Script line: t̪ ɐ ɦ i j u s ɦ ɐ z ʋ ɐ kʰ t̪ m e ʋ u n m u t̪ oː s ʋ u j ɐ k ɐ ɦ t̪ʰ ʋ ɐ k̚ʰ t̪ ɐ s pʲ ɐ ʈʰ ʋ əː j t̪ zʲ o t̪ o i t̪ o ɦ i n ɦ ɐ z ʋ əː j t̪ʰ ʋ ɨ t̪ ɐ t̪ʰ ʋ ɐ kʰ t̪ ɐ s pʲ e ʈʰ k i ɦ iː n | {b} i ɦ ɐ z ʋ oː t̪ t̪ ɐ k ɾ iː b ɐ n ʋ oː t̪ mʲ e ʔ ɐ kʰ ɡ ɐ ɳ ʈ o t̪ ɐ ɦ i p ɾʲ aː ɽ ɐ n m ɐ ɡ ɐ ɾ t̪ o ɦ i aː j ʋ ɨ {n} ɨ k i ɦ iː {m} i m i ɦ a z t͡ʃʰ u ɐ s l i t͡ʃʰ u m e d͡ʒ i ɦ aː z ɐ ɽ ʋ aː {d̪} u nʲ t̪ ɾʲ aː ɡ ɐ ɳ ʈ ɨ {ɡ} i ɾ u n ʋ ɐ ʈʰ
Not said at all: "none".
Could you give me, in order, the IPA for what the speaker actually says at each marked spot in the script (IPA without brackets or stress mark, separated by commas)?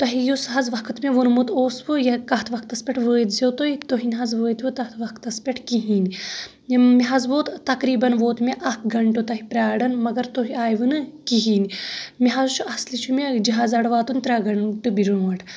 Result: m, n, n, t̪, b